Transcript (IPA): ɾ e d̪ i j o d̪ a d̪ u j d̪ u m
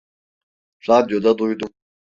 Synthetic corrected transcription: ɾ a d̪ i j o d̪ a d̪ u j d̪ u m